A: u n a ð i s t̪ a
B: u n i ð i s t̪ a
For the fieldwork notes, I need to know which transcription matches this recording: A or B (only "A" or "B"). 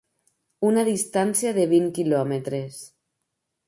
A